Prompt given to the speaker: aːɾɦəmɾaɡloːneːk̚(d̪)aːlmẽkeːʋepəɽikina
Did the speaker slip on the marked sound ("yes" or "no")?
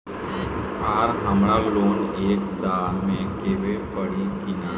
no